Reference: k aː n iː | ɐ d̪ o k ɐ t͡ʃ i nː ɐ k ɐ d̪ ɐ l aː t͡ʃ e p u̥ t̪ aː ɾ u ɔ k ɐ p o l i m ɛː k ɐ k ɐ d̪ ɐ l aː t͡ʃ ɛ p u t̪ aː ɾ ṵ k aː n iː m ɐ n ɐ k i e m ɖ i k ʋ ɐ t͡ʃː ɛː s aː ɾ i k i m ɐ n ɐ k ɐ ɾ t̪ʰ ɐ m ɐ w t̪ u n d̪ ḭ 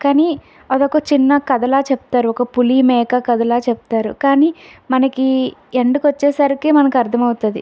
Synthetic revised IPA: k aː n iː | ɐ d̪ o k ɐ t͡ʃ i nː ɐ k ɐ d̪ ɐ l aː t͡ʃ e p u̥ t̪ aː ɾ u ɔ k ɐ p u l i m ɛː k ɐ k ɐ d̪ ɐ l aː t͡ʃ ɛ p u t̪ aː ɾ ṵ k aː n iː m ɐ n ɐ k i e ɳ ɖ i k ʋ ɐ t͡ʃː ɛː s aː ɾ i k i m ɐ n ɐ k ɐ ɾ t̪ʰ ɐ m ɐ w t̪ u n d̪ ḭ